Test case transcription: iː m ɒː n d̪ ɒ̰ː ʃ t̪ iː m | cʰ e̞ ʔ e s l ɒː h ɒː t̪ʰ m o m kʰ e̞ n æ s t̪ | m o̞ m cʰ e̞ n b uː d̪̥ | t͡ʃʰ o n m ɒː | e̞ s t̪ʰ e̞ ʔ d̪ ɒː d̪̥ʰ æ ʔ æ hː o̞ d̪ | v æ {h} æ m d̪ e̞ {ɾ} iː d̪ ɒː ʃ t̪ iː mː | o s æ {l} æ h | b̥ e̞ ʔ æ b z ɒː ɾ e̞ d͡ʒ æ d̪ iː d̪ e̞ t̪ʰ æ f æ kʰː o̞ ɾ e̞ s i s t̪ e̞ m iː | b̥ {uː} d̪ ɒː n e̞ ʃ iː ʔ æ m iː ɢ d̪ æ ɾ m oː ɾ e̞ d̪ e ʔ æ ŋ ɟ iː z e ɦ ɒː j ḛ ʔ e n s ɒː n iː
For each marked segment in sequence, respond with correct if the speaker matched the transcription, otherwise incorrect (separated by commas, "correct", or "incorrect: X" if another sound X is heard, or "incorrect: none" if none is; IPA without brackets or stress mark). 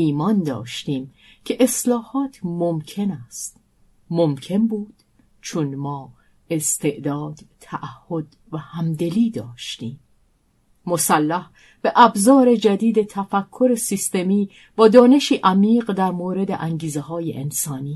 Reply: correct, incorrect: l, incorrect: lː, incorrect: ɒː